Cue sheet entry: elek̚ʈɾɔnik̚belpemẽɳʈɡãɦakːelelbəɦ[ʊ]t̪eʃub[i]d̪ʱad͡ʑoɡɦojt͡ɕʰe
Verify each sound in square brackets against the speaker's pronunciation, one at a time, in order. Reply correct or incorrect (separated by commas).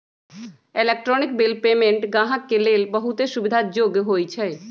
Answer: incorrect, correct